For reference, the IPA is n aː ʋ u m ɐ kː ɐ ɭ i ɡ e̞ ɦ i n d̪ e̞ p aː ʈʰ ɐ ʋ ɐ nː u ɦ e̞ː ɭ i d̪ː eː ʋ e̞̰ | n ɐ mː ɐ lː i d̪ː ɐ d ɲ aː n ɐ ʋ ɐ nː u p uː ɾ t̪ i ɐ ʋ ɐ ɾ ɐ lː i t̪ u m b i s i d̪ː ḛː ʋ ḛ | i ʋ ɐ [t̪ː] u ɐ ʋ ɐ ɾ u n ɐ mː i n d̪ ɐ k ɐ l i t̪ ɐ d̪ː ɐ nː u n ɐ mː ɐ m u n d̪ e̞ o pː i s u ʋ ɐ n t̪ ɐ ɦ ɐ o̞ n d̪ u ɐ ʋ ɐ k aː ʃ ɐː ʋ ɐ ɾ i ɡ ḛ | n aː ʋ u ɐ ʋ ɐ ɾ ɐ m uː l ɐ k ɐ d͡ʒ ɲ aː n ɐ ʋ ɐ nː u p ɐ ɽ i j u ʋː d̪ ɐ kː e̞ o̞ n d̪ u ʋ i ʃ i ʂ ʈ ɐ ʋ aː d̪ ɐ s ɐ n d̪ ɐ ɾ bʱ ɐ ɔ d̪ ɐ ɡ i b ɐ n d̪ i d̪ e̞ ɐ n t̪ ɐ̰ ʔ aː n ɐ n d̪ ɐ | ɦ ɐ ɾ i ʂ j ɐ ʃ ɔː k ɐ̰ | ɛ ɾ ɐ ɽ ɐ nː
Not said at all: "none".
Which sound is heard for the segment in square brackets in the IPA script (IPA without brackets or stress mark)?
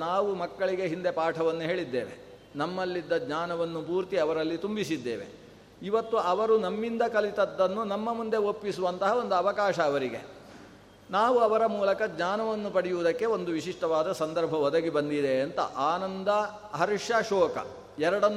t̪ː